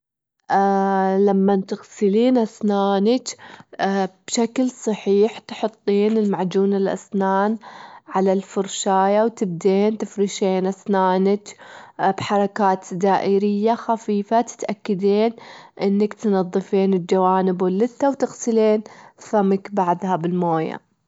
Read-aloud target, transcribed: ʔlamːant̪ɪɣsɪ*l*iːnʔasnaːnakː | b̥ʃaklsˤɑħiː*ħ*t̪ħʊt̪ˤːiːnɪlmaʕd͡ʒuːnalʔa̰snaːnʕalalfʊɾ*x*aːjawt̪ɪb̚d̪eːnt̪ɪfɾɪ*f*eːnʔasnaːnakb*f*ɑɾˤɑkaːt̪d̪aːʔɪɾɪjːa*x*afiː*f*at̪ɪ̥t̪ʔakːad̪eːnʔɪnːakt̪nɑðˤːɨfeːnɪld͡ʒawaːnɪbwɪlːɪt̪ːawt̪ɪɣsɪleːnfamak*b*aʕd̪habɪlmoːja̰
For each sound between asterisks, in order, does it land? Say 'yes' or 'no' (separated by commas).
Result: yes, yes, no, no, no, yes, yes, yes